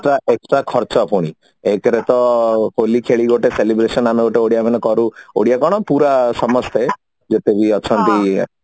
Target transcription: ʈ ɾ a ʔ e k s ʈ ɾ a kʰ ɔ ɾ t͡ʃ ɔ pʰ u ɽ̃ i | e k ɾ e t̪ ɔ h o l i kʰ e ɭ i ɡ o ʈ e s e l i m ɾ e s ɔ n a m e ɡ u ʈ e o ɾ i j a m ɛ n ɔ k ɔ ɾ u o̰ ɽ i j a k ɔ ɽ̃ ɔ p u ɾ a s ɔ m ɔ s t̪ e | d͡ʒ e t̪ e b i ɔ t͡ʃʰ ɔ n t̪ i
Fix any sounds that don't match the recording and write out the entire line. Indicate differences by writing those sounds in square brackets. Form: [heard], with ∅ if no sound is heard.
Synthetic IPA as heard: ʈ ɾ a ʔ e k s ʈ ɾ a kʰ ɔ ɾ t͡ʃ ɔ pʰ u ɽ̃ i | e k ɾ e t̪ ɔ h o l i kʰ e ɭ i ɡ o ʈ e s e l i [b] ɾ e s ɔ n a m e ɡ [o] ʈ e o [ɽ] i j a m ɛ n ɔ k ɔ ɾ u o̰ ɽ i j a k ɔ ɽ̃ ɔ p u ɾ a s ɔ m ɔ s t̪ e | d͡ʒ e t̪ e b i ɔ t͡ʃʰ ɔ n t̪ i